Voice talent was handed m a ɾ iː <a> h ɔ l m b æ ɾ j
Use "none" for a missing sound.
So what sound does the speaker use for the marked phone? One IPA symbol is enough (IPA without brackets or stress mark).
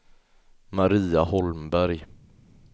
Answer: a